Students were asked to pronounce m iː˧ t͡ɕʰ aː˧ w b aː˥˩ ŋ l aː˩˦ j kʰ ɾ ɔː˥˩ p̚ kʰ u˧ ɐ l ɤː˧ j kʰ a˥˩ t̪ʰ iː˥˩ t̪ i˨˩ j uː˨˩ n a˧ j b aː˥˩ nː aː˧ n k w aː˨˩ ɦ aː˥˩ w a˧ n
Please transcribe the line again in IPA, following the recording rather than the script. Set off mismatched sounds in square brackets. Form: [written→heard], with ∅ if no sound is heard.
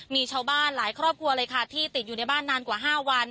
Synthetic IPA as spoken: m iː˧ t͡ɕʰ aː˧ w b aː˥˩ [ŋ→n] l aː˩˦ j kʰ ɾ ɔː˥˩ p̚ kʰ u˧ ɐ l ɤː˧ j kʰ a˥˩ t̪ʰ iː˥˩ t̪ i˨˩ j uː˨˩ n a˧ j b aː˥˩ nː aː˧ n k w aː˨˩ ɦ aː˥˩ w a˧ n

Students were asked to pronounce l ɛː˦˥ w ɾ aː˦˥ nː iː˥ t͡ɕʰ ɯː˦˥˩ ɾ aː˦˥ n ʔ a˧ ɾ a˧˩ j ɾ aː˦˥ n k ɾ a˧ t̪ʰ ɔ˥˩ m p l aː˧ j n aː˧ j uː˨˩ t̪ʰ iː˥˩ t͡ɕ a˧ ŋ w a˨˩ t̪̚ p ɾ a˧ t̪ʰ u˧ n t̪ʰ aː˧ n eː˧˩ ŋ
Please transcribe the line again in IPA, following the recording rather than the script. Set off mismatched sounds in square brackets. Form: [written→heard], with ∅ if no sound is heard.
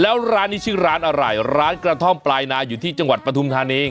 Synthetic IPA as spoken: l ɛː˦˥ w ɾ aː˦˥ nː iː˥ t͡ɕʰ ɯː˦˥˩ ɾ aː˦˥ n ʔ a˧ ɾ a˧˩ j ɾ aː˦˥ n k ɾ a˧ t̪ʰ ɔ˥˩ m p l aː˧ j n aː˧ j uː˨˩ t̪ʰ iː˥˩ t͡ɕ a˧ ŋ w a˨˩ t̪̚ p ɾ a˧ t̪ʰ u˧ [n→m] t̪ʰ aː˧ n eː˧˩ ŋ

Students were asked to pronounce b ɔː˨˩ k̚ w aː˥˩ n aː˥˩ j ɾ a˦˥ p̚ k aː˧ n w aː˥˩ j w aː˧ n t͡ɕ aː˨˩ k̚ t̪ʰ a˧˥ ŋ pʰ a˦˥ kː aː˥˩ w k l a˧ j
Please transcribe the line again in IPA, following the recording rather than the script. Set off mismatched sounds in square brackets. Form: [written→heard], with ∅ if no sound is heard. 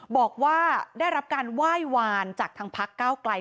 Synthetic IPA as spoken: b ɔː˨˩ k̚ w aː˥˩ [n→d] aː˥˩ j ɾ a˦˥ p̚ k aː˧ n w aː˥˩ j w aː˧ n t͡ɕ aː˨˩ k̚ t̪ʰ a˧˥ ŋ pʰ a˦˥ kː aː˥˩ w k l a˧ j

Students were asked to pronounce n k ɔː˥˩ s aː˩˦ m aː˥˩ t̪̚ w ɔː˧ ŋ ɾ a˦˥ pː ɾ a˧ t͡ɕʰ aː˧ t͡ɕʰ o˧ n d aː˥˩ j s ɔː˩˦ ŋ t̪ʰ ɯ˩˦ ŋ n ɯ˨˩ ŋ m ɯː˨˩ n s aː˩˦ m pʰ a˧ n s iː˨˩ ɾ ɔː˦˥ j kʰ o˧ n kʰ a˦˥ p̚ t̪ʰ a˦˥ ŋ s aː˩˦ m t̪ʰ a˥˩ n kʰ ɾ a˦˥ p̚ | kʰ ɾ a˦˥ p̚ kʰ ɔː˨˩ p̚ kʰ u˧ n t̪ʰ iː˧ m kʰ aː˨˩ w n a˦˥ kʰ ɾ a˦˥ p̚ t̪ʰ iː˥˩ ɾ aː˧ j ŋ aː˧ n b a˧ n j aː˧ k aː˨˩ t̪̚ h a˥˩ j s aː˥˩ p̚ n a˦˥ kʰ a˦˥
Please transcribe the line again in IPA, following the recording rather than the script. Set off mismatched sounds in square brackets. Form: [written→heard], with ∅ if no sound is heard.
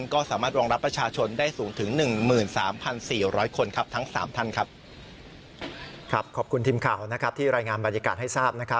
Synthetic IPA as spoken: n k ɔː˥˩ s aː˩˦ m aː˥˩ t̪̚ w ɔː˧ ŋ ɾ a˦˥ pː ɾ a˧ t͡ɕʰ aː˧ t͡ɕʰ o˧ n d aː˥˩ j s [ɔː˩˦→uː˩˦] ŋ t̪ʰ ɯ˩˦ ŋ n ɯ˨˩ ŋ m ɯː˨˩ n s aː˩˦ m pʰ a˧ n s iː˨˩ ɾ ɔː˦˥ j kʰ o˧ n kʰ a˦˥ p̚ t̪ʰ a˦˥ ŋ s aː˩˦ m t̪ʰ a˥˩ n kʰ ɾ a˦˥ p̚ | kʰ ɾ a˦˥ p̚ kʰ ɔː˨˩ p̚ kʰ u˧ n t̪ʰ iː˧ m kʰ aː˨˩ w n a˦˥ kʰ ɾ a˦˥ p̚ t̪ʰ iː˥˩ ɾ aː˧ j ŋ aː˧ n b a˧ n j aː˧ k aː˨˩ t̪̚ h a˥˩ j s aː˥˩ p̚ n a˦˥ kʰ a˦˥

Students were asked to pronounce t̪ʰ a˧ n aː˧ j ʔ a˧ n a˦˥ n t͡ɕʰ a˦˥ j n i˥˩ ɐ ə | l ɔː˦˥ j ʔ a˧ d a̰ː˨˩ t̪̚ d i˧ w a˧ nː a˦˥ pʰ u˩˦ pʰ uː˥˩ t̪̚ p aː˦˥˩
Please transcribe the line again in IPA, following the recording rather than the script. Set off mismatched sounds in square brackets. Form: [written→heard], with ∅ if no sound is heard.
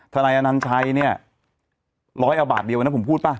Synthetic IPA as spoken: t̪ʰ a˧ n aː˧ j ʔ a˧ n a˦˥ n t͡ɕʰ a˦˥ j n i˥˩ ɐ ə | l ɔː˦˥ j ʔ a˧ [d→b] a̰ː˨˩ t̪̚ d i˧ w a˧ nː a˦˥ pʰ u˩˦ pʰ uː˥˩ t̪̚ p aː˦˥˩

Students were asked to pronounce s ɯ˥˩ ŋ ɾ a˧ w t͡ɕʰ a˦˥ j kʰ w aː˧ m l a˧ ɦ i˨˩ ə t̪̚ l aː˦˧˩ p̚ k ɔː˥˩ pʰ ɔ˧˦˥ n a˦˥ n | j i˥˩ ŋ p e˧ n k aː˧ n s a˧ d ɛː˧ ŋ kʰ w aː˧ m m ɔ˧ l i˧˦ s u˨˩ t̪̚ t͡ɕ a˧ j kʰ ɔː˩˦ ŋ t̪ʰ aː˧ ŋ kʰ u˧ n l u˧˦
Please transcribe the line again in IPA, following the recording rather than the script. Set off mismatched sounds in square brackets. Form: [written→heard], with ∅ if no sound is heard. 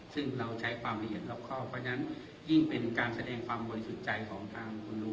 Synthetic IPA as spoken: s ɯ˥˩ ŋ ɾ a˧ w t͡ɕʰ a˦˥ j kʰ w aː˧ m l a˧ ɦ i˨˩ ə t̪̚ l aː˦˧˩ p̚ [k→kʰ] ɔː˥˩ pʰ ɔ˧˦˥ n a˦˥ n | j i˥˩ ŋ p e˧ n k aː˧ n s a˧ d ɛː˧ ŋ kʰ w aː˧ m [m→b] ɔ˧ l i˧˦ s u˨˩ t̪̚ t͡ɕ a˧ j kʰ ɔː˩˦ ŋ t̪ʰ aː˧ ŋ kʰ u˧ n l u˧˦

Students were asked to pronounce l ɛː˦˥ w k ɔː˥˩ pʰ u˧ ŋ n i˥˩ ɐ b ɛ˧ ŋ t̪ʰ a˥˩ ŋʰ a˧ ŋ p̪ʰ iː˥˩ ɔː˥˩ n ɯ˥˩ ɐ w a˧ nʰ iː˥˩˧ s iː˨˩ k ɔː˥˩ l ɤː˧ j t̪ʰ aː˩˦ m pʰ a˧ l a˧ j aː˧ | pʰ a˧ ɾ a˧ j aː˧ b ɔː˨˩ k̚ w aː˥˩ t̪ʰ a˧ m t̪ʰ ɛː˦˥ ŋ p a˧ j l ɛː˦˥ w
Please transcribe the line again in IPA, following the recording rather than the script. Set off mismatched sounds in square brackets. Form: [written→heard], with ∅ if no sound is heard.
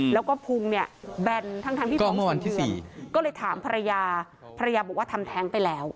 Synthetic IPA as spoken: l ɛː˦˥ w k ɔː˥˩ pʰ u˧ ŋ n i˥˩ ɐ b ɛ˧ [ŋ→n] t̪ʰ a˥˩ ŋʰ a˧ ŋ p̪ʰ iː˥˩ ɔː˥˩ [n→m] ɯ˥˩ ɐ w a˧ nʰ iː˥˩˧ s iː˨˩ k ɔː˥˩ l ɤː˧ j t̪ʰ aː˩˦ m pʰ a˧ [l→ɾ] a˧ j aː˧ | pʰ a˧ ɾ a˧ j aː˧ b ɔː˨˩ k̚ w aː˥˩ t̪ʰ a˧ m t̪ʰ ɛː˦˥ ŋ p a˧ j l ɛː˦˥ w

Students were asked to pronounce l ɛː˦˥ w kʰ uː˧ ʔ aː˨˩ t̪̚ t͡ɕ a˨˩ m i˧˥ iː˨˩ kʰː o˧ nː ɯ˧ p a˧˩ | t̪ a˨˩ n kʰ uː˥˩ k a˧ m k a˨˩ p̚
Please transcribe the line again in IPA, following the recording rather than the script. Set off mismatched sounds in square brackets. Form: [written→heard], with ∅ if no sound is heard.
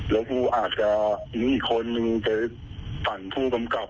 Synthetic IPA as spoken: l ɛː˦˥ w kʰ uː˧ ʔ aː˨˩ t̪̚ t͡ɕ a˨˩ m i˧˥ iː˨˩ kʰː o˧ nː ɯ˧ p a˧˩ | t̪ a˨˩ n [kʰ→pʰ] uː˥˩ k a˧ m k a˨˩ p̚

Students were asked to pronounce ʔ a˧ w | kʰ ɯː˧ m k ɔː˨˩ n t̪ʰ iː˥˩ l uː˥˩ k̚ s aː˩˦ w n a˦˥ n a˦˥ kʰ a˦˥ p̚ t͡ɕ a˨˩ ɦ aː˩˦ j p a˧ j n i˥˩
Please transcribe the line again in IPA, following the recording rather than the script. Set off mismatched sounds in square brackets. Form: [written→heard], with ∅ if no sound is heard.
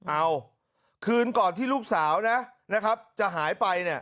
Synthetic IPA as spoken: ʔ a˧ w | kʰ ɯː˧ [m→n] k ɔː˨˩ n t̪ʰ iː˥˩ l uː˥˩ k̚ s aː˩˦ w n a˦˥ n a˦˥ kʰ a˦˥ p̚ t͡ɕ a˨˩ ɦ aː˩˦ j p a˧ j n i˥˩

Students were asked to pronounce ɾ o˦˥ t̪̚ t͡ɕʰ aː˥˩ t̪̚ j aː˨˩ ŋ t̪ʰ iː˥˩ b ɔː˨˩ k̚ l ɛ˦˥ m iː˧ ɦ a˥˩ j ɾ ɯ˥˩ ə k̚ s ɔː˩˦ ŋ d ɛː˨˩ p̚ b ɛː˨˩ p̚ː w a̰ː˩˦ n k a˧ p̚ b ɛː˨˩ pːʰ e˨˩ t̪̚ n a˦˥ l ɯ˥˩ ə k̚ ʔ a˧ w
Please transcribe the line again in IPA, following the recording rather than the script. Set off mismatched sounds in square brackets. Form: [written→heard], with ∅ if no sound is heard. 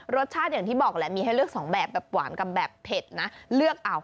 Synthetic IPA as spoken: ɾ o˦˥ t̪̚ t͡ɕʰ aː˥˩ t̪̚ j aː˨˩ ŋ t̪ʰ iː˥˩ b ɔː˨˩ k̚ l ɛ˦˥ m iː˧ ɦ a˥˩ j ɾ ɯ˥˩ ə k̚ s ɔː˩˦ ŋ [d→b] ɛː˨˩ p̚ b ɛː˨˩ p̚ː w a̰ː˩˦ n k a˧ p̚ b ɛː˨˩ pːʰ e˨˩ t̪̚ n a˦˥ l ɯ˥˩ ə k̚ ʔ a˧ w

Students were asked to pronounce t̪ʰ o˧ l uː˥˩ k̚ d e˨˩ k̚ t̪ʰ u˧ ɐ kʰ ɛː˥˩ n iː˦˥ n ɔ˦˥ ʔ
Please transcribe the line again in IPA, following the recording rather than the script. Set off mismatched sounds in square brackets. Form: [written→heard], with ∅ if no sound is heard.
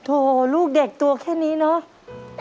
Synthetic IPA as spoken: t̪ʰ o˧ l uː˥˩ k̚ d e˨˩ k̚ [t̪ʰ→t̪] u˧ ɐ kʰ ɛː˥˩ n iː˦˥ n ɔ˦˥ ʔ

